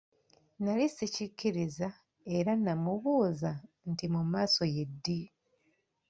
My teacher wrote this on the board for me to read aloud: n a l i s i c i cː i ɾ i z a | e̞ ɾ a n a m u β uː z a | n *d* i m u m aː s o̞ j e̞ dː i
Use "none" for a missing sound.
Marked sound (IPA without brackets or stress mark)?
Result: t